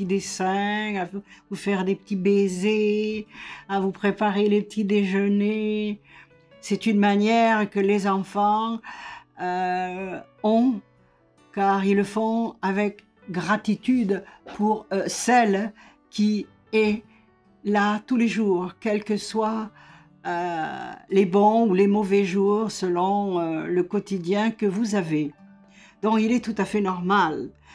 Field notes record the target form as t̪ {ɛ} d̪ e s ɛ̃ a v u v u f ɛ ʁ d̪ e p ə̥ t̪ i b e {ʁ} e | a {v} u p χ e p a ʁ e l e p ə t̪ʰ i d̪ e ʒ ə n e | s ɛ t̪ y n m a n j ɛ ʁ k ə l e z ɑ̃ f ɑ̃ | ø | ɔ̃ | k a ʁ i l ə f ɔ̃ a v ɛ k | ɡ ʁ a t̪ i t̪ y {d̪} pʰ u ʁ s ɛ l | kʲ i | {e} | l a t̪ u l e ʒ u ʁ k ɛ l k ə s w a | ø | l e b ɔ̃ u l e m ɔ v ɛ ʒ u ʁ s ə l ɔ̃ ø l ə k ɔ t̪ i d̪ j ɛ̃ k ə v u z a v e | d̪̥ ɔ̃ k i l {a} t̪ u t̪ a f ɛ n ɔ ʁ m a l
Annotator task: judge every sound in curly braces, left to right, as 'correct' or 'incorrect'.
incorrect: i, incorrect: z, correct, correct, incorrect: ɛ, incorrect: ɛ

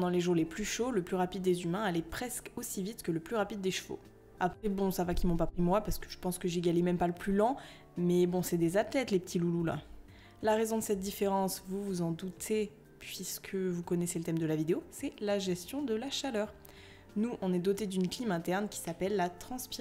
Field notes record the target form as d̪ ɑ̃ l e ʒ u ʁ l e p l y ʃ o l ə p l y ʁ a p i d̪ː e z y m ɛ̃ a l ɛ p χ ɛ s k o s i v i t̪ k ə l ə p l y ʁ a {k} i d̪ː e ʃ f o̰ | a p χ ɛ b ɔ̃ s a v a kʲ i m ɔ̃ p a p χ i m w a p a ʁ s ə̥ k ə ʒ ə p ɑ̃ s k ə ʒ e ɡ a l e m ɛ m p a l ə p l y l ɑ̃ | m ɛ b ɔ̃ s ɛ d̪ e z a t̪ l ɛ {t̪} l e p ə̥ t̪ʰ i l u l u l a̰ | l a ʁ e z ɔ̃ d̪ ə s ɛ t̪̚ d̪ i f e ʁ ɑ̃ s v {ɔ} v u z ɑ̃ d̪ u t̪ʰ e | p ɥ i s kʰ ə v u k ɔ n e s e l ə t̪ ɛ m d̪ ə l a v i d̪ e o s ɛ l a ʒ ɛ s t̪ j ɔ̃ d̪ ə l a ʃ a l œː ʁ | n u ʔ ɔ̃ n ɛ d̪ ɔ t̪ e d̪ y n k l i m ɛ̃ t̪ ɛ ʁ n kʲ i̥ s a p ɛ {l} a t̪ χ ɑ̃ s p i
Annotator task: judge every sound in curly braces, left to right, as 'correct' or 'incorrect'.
incorrect: p, correct, incorrect: u, incorrect: lː

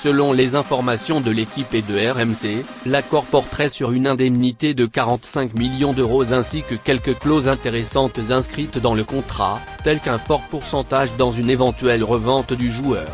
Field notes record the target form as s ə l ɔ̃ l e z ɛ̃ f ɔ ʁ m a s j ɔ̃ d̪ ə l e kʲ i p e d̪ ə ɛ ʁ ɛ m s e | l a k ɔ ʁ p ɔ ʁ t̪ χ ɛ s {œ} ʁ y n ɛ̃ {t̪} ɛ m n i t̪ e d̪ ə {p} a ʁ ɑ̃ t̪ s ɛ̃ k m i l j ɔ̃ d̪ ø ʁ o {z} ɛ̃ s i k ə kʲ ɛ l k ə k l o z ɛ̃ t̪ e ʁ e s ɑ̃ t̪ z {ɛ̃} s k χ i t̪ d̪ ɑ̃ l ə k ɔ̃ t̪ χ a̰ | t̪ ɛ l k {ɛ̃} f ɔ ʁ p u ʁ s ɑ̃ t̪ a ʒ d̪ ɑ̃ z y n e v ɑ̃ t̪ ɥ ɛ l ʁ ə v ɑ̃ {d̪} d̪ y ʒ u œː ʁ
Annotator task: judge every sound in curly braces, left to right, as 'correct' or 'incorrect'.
incorrect: y, incorrect: d̪, incorrect: k, correct, correct, correct, incorrect: t̪

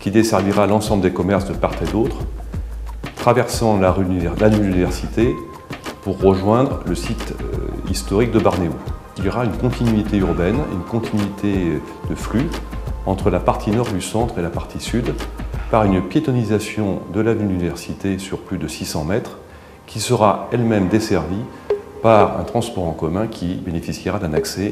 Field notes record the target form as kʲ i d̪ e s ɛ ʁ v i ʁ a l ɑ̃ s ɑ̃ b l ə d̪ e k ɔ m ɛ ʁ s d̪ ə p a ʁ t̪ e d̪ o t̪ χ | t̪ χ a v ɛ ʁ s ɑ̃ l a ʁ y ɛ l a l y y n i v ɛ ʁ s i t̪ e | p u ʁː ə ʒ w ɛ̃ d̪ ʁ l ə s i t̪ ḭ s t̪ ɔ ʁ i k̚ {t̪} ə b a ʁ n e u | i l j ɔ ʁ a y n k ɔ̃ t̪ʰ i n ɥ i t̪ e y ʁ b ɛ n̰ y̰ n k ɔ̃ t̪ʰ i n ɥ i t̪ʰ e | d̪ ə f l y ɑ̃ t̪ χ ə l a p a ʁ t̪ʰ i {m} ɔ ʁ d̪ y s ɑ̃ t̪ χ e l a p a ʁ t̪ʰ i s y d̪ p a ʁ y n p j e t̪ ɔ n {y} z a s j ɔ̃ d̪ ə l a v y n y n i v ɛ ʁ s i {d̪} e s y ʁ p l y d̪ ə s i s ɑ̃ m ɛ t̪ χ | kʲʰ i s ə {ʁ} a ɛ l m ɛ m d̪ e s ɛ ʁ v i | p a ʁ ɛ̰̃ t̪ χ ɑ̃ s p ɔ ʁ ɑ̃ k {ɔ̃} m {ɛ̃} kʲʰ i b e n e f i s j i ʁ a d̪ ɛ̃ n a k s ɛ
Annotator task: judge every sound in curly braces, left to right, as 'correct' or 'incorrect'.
incorrect: d̪, incorrect: n, incorrect: i, incorrect: t̪, correct, incorrect: ɔ, correct

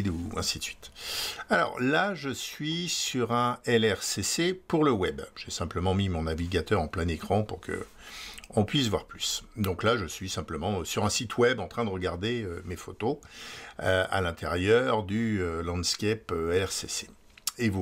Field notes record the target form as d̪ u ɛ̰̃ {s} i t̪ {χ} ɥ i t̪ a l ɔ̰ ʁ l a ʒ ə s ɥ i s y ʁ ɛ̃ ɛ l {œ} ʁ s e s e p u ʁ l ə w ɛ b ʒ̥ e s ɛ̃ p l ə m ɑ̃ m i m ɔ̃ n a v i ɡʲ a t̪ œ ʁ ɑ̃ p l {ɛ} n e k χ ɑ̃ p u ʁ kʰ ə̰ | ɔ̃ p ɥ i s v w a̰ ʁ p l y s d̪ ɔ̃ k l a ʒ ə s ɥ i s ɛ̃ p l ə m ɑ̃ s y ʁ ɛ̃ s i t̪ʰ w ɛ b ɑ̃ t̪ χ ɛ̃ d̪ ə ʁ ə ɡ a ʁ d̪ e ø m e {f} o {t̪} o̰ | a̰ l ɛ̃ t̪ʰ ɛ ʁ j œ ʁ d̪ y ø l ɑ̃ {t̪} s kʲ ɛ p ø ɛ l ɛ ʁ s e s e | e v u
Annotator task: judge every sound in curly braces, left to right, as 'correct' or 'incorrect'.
correct, incorrect: s, incorrect: ɛ, incorrect: ɛ̃, correct, correct, incorrect: d̪

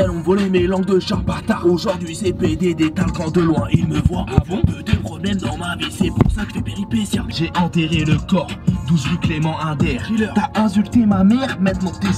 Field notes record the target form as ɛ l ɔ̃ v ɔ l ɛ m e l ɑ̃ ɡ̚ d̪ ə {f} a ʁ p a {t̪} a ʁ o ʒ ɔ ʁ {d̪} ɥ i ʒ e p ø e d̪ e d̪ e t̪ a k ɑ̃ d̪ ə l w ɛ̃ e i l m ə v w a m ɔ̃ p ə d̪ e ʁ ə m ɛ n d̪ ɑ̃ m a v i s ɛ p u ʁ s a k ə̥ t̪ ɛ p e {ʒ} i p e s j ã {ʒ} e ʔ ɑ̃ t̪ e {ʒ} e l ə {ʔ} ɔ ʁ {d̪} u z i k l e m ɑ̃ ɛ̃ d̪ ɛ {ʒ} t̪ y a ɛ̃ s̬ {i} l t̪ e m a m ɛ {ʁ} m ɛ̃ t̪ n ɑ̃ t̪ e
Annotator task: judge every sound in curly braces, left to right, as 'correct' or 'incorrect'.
incorrect: ʃ, correct, correct, incorrect: ʁ, correct, incorrect: ʁ, incorrect: k, correct, incorrect: ʁ, incorrect: y, correct

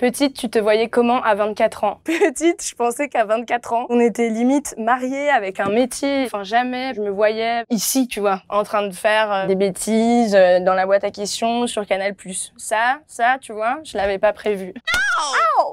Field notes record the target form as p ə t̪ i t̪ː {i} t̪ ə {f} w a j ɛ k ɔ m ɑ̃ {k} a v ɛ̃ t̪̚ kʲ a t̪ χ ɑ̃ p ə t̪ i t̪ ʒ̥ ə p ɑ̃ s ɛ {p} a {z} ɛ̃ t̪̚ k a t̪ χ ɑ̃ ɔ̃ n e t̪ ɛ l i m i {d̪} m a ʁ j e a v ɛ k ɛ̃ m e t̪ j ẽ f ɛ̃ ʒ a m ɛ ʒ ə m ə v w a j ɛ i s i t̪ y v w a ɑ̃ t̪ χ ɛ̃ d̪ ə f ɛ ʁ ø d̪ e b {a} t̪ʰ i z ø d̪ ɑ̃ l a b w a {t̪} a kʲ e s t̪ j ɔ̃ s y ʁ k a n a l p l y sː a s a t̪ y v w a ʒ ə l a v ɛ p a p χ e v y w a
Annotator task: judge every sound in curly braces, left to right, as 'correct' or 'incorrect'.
incorrect: y, incorrect: v, incorrect: ʔ, incorrect: k, incorrect: v, incorrect: t̪, incorrect: e, correct

